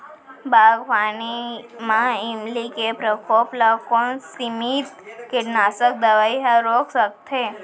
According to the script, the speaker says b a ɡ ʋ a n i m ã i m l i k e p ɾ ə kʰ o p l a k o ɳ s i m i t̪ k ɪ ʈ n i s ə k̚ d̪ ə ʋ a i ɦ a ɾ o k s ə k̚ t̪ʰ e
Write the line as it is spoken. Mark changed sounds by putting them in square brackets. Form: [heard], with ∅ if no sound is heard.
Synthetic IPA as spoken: b a ɡ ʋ a n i m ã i m l i k e p ɾ ə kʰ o p l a k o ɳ s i m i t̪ k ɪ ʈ n [a] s ə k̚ d̪ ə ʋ a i ɦ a ɾ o k s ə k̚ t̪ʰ e